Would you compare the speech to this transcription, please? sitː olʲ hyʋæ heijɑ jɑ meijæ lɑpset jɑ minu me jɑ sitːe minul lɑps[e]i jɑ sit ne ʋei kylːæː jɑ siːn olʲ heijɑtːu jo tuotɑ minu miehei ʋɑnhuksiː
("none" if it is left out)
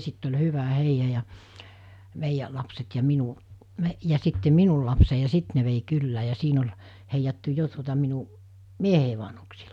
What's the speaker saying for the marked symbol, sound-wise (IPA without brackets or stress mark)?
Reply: e